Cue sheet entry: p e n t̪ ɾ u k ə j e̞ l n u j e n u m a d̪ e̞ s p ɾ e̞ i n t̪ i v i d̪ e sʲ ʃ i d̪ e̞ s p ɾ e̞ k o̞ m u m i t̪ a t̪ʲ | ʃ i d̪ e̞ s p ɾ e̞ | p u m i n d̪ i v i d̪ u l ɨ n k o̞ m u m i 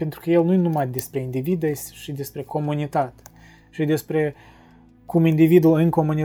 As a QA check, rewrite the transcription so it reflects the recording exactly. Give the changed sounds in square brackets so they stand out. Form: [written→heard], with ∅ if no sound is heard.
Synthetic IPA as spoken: p e n t̪ ɾ u k ə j e̞ l n u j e n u m a d̪ e̞ s p ɾ e̞ i n [t̪→d̪] i v i d̪ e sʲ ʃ i d̪ e̞ s p ɾ e̞ k o̞ m u [m→n] i t̪ a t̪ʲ | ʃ i d̪ e̞ s p ɾ e̞ | [p→k] u m i n d̪ i v i d̪ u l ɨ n k o̞ m u [m→n] i